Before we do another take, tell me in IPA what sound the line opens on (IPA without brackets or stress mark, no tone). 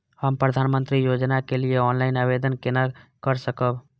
h